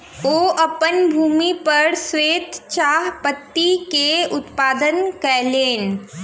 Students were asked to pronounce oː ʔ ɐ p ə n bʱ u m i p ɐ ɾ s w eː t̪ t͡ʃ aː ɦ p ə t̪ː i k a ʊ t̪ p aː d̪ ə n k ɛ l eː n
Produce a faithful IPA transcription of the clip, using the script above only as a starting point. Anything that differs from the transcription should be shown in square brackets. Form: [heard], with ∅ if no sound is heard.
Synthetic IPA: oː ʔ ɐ p ə n bʱ [uː] m i p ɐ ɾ s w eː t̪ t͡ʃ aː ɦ p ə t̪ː i k [e] ʊ t̪ p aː d̪ ə n k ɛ l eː n